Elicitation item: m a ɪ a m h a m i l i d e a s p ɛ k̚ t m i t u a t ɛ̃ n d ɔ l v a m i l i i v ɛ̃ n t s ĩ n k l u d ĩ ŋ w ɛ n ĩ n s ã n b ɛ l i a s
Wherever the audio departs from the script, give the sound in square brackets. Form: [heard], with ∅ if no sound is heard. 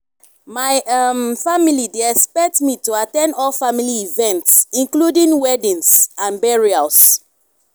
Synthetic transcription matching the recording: m a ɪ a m [f] a m i l i d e [ɛ] s p ɛ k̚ t m i t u a t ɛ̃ n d ɔ l [f] a m i l i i v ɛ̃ n t s ĩ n k l u d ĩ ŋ w ɛ [d] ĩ n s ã n b ɛ [ɹ] i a s